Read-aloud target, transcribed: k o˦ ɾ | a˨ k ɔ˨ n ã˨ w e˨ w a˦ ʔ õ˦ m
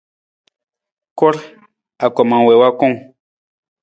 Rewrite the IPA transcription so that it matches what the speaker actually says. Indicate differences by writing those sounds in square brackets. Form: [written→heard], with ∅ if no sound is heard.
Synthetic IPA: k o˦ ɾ | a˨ k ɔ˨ [n→m] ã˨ w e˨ w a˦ [ʔ→k] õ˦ [m→ŋ]